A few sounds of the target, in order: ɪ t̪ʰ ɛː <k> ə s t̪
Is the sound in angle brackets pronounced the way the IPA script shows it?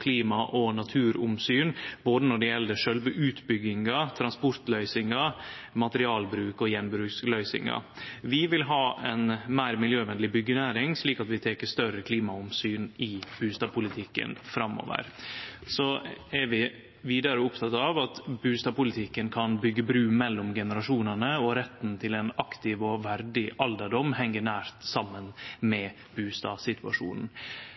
yes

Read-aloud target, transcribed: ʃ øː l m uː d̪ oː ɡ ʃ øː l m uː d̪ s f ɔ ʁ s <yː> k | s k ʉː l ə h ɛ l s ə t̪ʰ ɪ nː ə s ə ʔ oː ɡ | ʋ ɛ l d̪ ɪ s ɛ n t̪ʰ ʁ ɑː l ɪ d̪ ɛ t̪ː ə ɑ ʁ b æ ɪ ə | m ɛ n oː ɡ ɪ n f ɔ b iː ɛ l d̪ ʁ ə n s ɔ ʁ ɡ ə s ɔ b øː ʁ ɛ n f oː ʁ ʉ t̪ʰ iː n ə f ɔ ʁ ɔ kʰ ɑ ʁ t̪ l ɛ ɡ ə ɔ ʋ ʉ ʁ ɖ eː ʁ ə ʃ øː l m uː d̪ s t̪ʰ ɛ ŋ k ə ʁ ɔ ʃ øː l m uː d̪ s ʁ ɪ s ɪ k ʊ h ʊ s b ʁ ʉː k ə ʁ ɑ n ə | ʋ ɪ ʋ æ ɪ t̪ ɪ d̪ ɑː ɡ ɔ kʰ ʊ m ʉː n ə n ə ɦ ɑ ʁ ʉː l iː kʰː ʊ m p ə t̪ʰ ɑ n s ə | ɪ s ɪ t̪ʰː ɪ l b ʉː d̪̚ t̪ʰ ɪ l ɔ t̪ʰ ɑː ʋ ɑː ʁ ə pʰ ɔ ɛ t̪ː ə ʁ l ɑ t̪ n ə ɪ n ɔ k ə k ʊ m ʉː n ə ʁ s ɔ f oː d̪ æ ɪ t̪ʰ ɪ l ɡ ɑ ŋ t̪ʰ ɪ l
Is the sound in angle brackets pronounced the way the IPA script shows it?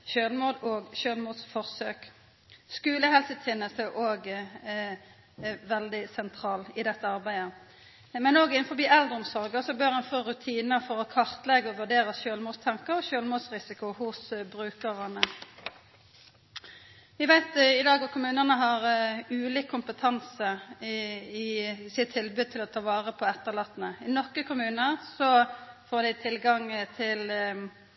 no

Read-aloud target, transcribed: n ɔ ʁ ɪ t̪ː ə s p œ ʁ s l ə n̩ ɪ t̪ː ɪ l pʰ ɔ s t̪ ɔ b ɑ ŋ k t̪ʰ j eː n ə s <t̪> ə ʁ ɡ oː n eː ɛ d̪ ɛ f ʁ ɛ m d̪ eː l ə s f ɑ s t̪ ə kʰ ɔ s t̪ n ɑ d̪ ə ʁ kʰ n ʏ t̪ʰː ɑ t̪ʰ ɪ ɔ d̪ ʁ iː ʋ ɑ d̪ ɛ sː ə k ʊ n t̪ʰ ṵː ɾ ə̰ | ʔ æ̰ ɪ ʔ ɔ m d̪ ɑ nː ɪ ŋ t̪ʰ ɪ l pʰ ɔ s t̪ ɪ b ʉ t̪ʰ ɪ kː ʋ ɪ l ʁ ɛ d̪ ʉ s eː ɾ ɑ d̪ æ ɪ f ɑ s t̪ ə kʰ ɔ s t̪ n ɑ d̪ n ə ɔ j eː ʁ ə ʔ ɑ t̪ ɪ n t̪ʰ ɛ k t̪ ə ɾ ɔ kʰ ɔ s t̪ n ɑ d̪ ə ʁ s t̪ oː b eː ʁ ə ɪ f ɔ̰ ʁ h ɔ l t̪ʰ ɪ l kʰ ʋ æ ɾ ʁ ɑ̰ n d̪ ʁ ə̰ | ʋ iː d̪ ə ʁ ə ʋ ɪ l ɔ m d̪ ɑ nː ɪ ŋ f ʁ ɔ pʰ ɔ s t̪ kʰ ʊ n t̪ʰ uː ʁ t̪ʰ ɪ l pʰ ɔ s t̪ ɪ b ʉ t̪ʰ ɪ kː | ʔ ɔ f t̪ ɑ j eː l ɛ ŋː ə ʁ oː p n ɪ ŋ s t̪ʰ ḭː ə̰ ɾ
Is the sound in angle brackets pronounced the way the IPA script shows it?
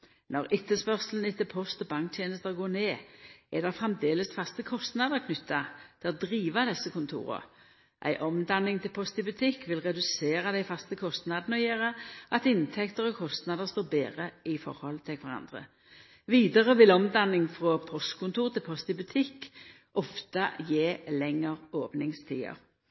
yes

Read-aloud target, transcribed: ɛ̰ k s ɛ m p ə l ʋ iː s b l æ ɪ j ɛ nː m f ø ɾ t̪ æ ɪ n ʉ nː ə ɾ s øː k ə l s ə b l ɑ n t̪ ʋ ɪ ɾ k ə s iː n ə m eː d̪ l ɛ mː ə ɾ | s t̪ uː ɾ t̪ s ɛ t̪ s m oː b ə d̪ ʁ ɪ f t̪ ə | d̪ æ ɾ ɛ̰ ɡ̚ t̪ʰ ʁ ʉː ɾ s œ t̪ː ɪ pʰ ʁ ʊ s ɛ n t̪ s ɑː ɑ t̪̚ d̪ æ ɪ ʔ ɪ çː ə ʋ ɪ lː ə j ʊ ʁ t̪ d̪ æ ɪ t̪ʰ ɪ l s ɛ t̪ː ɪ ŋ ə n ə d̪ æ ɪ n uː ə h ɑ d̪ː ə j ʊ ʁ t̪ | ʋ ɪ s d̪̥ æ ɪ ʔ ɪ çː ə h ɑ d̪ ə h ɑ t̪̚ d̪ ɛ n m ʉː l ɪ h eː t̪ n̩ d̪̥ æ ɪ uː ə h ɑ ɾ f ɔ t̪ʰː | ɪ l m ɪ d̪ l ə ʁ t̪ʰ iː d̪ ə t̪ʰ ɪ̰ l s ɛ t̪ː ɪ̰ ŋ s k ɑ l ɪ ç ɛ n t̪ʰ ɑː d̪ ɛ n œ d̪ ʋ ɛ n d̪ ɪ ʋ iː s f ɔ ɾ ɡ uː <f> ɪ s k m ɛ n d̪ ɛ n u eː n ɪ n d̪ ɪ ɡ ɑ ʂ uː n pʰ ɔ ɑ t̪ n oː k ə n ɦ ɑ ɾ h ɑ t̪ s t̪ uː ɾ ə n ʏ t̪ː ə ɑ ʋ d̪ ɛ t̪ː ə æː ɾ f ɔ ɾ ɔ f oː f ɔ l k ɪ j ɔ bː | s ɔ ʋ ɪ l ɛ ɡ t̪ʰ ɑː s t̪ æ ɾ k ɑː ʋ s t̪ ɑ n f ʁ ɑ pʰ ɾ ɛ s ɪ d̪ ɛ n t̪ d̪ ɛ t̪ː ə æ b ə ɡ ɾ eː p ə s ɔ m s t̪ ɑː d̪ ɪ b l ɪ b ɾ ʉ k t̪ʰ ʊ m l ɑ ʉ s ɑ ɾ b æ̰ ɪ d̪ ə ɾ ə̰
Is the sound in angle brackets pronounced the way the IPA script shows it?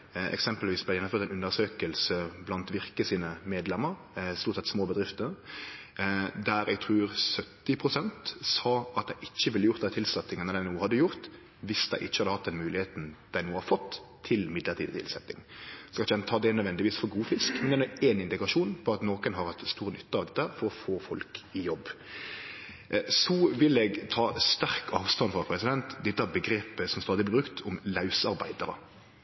yes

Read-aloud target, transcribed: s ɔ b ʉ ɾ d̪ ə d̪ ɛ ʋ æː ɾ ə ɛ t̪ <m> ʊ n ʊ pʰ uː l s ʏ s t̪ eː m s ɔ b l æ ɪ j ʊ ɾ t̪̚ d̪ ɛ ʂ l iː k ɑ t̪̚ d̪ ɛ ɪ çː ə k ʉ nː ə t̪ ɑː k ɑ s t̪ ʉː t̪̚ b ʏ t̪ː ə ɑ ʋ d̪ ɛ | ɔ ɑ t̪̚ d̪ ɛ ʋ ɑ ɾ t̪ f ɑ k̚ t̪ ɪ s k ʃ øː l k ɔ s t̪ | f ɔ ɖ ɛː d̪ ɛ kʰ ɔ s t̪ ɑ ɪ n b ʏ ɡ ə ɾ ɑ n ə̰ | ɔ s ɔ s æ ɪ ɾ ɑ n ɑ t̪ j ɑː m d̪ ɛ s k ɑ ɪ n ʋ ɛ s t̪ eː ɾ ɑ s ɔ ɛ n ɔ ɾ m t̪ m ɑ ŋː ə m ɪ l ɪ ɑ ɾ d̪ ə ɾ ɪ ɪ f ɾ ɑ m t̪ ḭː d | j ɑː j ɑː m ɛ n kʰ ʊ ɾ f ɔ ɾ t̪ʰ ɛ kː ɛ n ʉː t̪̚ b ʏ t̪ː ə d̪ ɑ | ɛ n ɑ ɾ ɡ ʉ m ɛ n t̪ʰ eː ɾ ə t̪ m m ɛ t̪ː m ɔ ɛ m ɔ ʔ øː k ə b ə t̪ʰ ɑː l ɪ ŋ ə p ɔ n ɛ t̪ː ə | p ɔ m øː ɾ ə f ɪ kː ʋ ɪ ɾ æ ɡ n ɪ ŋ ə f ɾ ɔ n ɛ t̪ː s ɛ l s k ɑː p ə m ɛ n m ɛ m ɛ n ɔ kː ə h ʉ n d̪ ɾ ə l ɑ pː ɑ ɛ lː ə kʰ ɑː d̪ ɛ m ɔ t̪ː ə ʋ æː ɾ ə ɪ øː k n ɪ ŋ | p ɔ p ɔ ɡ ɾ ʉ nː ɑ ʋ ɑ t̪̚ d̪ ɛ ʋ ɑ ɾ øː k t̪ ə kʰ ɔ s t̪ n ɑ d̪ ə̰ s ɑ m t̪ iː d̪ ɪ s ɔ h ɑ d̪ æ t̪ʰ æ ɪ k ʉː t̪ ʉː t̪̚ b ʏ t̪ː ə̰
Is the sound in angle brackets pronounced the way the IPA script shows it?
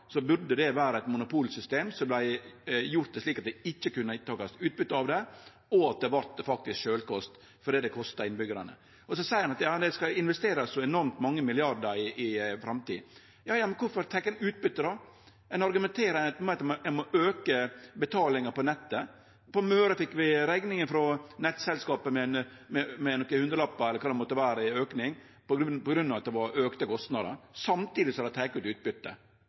yes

